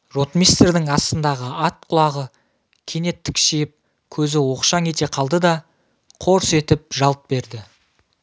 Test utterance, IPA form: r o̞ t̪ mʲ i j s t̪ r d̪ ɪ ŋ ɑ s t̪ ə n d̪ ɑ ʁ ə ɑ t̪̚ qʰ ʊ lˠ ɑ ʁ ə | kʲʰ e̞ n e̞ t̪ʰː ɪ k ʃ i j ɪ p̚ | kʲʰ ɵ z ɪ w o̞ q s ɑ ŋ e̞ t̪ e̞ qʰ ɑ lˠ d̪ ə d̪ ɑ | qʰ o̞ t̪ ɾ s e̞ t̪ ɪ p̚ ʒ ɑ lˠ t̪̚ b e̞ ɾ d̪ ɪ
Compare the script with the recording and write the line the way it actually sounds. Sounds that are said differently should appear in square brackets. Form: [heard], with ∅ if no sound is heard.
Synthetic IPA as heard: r o̞ t̪ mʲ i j s t̪ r d̪ ɪ ŋ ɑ s t̪ ə n d̪ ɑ ʁ ə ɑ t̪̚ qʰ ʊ lˠ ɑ ʁ ə | kʲʰ e̞ n e̞ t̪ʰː ɪ k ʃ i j ɪ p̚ | kʲʰ ɵ z ɪ w o̞ q [ʃ] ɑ ŋ e̞ t̪ e̞ qʰ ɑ lˠ d̪ ə d̪ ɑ | qʰ o̞ [∅] ɾ s e̞ t̪ ɪ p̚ ʒ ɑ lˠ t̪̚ b e̞ ɾ d̪ ɪ